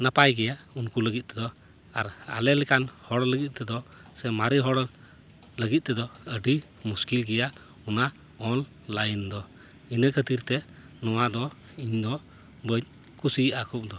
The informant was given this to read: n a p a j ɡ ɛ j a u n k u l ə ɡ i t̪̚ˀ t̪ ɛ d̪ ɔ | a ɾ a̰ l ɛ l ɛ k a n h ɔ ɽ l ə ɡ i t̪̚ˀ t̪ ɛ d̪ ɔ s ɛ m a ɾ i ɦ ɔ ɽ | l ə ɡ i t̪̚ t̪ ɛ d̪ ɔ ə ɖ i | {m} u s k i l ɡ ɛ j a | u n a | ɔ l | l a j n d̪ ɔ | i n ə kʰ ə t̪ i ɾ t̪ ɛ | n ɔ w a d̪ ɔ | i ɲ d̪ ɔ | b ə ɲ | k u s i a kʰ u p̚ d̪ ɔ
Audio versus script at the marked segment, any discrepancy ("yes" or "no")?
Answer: no